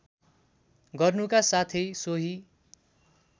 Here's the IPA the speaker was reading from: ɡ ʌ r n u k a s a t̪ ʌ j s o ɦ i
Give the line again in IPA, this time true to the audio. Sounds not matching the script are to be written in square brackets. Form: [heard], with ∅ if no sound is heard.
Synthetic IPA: ɡ ʌ r n u k a s a [t̪ʰ] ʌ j s o ɦ i